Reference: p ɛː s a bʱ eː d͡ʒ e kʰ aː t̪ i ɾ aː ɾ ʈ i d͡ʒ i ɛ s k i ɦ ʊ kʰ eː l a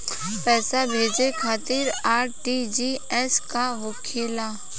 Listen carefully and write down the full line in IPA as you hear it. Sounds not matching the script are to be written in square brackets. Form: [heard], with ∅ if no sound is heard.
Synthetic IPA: p ɛː s a bʱ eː d͡ʒ e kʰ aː t̪ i ɾ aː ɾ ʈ i d͡ʒ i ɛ s k [a] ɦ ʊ kʰ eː l a